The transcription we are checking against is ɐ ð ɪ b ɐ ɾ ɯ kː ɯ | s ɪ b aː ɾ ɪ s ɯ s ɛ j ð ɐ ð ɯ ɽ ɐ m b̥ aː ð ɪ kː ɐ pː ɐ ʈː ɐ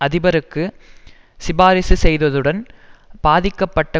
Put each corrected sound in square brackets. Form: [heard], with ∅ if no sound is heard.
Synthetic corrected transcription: ɐ ð ɪ b ɐ ɾ ɯ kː ɯ | s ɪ b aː ɾ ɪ s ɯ s ɛ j ð ɐ ð ɯ ɽ ɐ [n] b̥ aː ð ɪ kː ɐ pː ɐ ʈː ɐ

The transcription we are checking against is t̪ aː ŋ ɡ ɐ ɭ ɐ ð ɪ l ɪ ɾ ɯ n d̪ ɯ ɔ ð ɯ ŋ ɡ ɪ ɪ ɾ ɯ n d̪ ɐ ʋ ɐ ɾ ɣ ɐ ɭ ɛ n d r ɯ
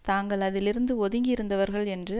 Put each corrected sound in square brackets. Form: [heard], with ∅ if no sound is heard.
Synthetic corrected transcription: t̪ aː ŋ ɡ ɐ ɭ ɐ ð ɪ l ɪ ɾ ɯ n d̪ ɯ ɔ ð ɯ ŋ ɡ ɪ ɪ ɾ ɯ n d̪ ɐ ʋ ɐ ɾ ɣ ɐ ɭ ɛ n d r ɯ

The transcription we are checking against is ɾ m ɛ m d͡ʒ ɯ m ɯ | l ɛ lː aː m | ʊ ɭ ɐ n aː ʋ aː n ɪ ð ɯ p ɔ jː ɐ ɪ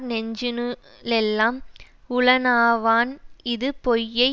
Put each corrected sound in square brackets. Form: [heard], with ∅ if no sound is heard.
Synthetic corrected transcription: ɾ [n] ɛ [ɲ] d͡ʒ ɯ [n] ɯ | l ɛ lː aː m | ʊ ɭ ɐ n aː ʋ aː n ɪ ð ɯ p ɔ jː ɐ ɪ

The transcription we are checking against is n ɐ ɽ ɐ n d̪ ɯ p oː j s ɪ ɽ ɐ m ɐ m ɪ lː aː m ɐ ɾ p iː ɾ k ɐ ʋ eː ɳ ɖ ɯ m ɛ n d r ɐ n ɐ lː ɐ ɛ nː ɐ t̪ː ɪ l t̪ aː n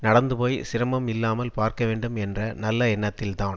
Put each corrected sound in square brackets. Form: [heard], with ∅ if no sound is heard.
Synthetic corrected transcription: n ɐ ɽ ɐ n d̪ ɯ p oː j s ɪ [ɾ] ɐ m ɐ m ɪ lː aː m ɐ [l] p [aː] ɾ k ɐ ʋ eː ɳ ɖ ɯ m ɛ n d r ɐ n ɐ lː ɐ ɛ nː ɐ t̪ː ɪ l t̪ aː n

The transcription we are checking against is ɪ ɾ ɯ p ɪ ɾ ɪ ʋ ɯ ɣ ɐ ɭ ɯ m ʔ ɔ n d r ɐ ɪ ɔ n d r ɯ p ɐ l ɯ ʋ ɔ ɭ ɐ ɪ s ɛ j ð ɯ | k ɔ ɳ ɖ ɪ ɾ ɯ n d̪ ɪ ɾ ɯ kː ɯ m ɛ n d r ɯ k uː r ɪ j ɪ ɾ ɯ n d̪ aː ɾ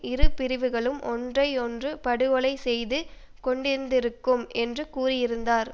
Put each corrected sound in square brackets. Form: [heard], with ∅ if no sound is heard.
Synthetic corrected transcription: ɪ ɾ ɯ p ɪ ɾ ɪ ʋ ɯ ɣ ɐ ɭ ɯ m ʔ ɔ n d r ɐ ɪ ɔ n d r ɯ p ɐ [ɽ] ɯ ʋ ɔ ɭ ɐ ɪ s ɛ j ð ɯ | k ɔ ɳ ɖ ɪ ɾ ɯ n d̪ ɪ ɾ ɯ kː ɯ m ɛ n d r ɯ k uː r ɪ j ɪ ɾ ɯ n d̪ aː ɾ

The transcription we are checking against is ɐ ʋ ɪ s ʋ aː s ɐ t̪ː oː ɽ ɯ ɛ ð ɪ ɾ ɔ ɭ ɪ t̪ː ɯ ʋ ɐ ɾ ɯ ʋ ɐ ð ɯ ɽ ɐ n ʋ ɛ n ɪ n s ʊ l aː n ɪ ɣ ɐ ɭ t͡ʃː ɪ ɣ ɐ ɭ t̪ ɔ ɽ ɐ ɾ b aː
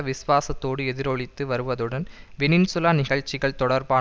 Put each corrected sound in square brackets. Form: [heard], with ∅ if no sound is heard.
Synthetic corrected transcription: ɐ ʋ ɪ s ʋ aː s ɐ t̪ː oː ɽ ɯ ɛ ð ɪ ɾ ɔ ɭ ɪ t̪ː ɯ ʋ ɐ ɾ ɯ ʋ ɐ ð ɯ ɽ ɐ n ʋ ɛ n ɪ n s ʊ l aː n ɪ ɣ ɐ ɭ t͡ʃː ɪ ɣ ɐ ɭ t̪ ɔ ɽ ɐ ɾ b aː

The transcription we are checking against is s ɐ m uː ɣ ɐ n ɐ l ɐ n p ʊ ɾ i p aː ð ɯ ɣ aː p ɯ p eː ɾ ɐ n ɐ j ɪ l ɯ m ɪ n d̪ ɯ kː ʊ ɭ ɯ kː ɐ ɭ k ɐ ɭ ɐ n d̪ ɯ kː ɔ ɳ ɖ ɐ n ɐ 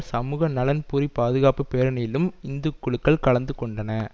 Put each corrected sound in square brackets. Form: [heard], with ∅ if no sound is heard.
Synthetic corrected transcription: s ɐ m uː ɣ ɐ n ɐ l ɐ n p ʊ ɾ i p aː ð ɯ ɣ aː p ɯ p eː ɾ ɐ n ɐ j ɪ l ɯ m ɪ n d̪ ɯ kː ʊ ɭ ɯ kː ɐ ɭ k ɐ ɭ ɐ n d̪ ɯ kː ɔ ɳ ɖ ɐ n ɐ

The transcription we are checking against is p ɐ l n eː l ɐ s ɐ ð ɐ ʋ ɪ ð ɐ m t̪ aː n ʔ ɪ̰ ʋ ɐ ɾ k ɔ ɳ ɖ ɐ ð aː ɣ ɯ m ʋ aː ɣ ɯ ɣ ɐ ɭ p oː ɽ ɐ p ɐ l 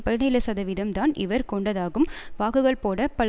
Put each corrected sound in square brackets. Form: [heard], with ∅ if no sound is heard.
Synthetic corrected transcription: p ɐ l n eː l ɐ s ɐ ð ɐ ʋ ɪ ð ɐ m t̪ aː n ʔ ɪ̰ ʋ ɐ ɾ k ɔ ɳ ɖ ɐ ð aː ɣ ɯ m ʋ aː ɣ ɯ ɣ ɐ ɭ p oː ɽ ɐ p ɐ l

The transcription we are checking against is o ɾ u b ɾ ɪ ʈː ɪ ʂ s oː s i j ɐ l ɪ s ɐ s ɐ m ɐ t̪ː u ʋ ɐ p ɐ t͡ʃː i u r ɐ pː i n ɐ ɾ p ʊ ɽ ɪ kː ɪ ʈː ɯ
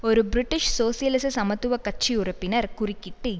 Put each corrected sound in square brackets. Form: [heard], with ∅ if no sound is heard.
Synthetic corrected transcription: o ɾ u b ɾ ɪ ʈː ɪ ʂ s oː s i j ɐ l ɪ s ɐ s ɐ m ɐ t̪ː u ʋ ɐ [k] ɐ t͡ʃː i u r ɐ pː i n ɐ ɾ [k] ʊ [r] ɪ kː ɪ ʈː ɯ

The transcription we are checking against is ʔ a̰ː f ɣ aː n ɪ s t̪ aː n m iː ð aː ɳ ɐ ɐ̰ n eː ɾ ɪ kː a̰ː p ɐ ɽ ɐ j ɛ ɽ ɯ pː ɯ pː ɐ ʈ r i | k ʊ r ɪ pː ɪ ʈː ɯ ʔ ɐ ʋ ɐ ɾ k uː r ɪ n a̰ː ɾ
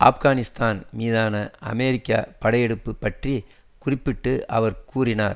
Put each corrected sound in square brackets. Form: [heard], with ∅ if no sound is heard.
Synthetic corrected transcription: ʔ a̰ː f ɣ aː n ɪ s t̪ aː n m iː ð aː [n] ɐ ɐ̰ [m] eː ɾ ɪ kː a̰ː p ɐ ɽ ɐ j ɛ ɽ ɯ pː ɯ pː ɐ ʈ r i | k ʊ r ɪ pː ɪ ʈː ɯ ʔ ɐ ʋ ɐ ɾ k uː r ɪ n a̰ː ɾ

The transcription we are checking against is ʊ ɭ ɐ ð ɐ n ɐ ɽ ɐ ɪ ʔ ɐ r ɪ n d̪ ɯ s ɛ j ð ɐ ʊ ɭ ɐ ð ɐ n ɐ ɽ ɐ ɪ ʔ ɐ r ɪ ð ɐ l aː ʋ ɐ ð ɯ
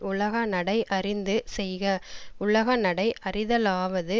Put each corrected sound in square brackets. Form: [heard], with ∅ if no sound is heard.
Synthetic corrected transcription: ʊ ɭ ɐ [ɣ] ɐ n ɐ ɽ ɐ ɪ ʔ ɐ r ɪ n d̪ ɯ s ɛ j [ɣ] ɐ ʊ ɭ ɐ [ɣ] ɐ n ɐ ɽ ɐ ɪ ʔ ɐ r ɪ ð ɐ l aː ʋ ɐ ð ɯ

